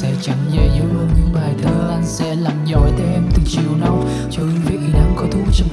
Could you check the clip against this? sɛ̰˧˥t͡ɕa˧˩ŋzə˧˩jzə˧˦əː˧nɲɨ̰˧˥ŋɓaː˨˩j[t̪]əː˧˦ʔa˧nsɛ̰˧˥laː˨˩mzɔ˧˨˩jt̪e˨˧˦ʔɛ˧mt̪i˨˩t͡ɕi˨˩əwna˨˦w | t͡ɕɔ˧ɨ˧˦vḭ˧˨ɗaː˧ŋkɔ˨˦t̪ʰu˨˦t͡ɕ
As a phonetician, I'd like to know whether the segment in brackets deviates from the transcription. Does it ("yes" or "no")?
yes